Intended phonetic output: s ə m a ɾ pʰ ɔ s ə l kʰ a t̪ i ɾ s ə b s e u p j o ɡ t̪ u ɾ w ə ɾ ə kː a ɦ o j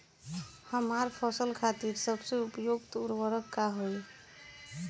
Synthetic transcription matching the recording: h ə m a ɾ pʰ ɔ s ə l kʰ a t̪ i ɾ s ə b s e u p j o ɡ t̪ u ɾ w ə ɾ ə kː a ɦ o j